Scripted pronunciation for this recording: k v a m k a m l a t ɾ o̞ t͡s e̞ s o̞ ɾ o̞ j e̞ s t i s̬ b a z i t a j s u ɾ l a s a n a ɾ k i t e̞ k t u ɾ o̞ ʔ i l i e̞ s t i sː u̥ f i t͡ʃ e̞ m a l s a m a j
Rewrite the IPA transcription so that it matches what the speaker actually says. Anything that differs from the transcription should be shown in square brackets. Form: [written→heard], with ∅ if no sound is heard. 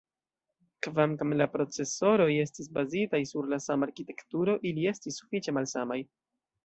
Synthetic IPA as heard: k v a m k a m l a [t→p] ɾ o̞ t͡s e̞ s o̞ ɾ o̞ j e̞ s t i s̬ b a z i t a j s u ɾ l a s a [n→m] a ɾ k i t e̞ k t u ɾ o̞ ʔ i l i e̞ s t i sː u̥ f i t͡ʃ e̞ m a l s a m a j